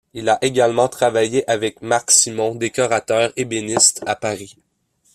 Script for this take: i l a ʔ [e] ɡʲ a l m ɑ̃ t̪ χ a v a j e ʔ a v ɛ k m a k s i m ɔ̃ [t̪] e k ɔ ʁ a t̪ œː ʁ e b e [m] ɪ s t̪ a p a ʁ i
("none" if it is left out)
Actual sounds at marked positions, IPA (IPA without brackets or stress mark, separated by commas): e, d̪, n